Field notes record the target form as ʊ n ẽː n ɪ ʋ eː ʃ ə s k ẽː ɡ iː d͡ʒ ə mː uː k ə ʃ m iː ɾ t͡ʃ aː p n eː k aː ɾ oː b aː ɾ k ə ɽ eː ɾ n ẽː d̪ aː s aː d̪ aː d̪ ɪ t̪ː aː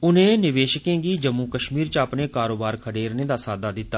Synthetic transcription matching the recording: ʊ n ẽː n ɪ ʋ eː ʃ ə k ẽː ɡ iː d͡ʒ ə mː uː k ə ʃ m iː ɾ t͡ʃ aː p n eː k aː ɾ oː b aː ɾ kʰ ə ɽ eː ɾ n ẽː d̪ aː s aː d̪ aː d̪ ɪ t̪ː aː